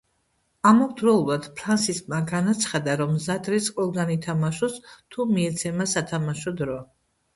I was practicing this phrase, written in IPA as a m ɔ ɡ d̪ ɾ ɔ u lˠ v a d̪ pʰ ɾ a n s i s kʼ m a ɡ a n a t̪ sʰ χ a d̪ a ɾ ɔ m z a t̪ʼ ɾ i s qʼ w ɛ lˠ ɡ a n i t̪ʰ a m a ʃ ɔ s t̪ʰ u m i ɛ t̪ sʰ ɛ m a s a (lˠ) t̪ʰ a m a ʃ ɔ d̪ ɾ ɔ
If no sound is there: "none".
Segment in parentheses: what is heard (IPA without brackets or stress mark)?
none